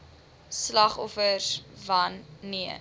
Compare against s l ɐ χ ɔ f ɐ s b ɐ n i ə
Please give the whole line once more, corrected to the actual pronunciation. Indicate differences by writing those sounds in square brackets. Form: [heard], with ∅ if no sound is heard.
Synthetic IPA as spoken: s l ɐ χ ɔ f [ə] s [v] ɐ [nː] i ə